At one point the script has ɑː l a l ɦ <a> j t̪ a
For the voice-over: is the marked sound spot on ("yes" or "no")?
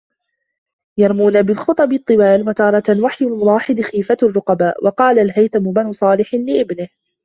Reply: yes